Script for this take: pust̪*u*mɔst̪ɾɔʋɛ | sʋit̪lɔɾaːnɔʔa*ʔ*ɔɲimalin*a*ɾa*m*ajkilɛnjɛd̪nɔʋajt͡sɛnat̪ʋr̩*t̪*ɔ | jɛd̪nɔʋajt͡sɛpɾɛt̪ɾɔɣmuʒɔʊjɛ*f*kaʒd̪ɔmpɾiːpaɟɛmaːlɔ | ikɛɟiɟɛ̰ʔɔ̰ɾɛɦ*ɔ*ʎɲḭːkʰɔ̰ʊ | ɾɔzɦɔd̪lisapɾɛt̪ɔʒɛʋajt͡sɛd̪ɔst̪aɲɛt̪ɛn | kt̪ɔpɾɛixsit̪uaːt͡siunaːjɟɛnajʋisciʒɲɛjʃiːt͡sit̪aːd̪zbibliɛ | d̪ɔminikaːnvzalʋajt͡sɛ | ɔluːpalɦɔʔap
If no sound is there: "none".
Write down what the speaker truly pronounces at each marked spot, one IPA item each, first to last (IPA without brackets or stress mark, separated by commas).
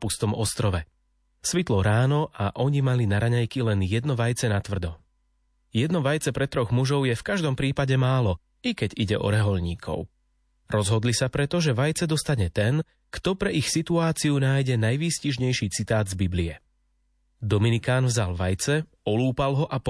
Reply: ɔ, ʔ, a, ɲ, d̪, f, ɔ